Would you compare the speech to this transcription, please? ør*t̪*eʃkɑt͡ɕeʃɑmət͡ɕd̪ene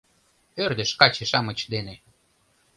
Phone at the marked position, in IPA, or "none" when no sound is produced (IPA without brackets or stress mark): d̪